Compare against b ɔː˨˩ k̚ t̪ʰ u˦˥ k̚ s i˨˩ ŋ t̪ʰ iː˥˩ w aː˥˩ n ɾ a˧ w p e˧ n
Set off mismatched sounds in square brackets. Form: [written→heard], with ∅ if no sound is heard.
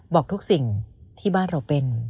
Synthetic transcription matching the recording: b ɔː˨˩ k̚ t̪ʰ u˦˥ k̚ s i˨˩ ŋ t̪ʰ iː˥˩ [w→b] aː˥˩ n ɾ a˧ w p e˧ n